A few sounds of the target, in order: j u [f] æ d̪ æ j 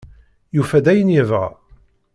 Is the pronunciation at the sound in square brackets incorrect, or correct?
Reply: correct